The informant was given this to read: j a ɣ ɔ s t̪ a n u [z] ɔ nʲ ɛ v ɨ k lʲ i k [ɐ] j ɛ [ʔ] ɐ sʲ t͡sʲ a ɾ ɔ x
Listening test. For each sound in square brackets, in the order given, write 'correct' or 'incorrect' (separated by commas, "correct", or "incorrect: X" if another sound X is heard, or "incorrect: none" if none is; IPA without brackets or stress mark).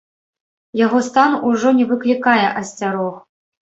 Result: incorrect: ʐ, incorrect: a, correct